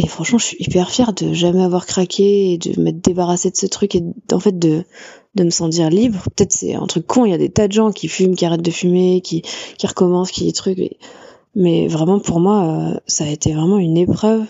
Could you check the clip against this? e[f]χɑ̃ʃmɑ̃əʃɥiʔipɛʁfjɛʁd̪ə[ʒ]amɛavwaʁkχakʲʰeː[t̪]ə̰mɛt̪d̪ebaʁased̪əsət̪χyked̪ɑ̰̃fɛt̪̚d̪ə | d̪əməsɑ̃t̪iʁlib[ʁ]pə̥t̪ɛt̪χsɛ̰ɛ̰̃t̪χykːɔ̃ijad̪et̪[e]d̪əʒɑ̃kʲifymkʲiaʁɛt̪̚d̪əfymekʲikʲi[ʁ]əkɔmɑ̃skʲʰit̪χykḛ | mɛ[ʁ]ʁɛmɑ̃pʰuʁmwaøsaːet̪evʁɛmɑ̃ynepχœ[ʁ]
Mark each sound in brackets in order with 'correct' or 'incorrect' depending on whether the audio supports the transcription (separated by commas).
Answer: correct, correct, incorrect, correct, incorrect, correct, incorrect, incorrect